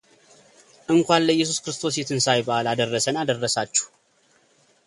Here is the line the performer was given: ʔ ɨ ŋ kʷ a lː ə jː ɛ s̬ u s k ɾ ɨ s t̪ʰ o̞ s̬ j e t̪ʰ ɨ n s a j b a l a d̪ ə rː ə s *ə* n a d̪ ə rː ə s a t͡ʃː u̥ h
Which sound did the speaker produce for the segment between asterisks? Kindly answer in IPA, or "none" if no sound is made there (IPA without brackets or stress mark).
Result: ə